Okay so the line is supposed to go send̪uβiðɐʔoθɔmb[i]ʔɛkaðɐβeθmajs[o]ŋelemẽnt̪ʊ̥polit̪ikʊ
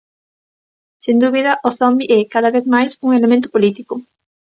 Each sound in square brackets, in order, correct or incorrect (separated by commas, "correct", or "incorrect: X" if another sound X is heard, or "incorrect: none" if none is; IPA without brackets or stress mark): correct, incorrect: u